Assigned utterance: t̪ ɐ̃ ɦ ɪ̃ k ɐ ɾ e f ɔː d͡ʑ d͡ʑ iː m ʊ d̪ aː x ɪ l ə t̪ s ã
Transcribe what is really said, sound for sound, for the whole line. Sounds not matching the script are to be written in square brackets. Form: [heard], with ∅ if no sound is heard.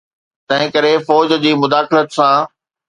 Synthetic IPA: t̪ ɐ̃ ɦ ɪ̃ k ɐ ɾ e f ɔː d͡ʑ d͡ʑ iː m ʊ d̪ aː x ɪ l ə t̪ s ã